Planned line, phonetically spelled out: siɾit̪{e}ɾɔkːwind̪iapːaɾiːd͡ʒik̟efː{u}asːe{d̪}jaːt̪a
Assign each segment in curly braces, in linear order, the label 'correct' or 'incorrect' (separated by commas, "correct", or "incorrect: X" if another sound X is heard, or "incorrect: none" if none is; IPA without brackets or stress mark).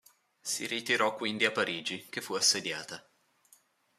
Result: incorrect: i, correct, correct